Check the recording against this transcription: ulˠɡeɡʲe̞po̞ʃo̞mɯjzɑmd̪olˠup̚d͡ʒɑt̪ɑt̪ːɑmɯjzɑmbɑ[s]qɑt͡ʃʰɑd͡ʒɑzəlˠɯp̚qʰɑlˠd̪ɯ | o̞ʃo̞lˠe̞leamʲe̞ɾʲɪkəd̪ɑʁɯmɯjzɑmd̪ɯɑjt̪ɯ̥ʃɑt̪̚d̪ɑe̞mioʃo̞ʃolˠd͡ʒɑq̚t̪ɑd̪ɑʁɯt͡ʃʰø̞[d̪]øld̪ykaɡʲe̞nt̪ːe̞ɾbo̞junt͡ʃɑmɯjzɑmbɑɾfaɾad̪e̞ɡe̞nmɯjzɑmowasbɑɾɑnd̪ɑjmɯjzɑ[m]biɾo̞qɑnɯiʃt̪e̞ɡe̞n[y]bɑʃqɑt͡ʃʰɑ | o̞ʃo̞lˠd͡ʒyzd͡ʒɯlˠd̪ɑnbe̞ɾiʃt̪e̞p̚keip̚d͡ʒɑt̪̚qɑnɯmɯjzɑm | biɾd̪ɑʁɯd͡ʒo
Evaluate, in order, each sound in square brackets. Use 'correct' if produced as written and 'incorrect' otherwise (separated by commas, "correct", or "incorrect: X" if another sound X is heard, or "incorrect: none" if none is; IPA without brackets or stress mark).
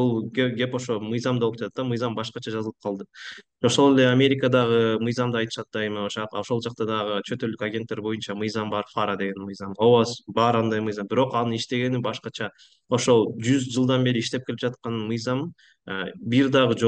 incorrect: ʃ, incorrect: t̪, correct, incorrect: i